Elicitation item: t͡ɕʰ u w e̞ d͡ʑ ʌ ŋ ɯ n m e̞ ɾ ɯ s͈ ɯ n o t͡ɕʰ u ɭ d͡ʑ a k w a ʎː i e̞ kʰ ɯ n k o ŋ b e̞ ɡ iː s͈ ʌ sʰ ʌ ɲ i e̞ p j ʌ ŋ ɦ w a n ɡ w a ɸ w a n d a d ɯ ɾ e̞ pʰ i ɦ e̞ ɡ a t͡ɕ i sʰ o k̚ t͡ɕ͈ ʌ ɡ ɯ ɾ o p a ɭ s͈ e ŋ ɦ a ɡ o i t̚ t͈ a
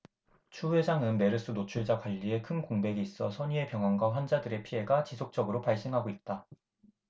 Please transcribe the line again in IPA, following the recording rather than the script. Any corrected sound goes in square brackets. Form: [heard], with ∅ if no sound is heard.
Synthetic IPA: t͡ɕʰ u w e̞ d͡ʑ [a] ŋ ɯ n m e̞ ɾ ɯ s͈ ɯ n o t͡ɕʰ u ɭ d͡ʑ a k w a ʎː i e̞ kʰ ɯ n k o ŋ b e̞ ɡ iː s͈ ʌ sʰ ʌ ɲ i e̞ p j ʌ ŋ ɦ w a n ɡ w a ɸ w a n [d͡ʑ] a d ɯ ɾ e̞ pʰ i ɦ e̞ ɡ a t͡ɕ i sʰ o k̚ t͡ɕ͈ ʌ ɡ ɯ ɾ o p a ɭ s͈ e ŋ ɦ a ɡ o i t̚ t͈ a